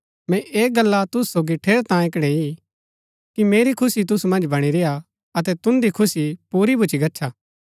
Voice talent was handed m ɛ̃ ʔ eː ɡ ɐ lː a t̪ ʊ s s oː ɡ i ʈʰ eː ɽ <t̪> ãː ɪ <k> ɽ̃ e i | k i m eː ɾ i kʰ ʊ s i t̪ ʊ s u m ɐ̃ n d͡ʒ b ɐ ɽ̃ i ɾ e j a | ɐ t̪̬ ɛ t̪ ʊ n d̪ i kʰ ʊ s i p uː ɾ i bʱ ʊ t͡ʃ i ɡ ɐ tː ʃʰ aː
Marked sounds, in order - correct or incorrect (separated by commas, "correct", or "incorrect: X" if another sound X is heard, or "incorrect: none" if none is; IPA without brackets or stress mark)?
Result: correct, correct